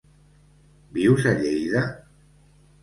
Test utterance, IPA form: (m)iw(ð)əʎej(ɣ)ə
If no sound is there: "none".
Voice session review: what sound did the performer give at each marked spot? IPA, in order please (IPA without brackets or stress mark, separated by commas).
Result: b, z, ð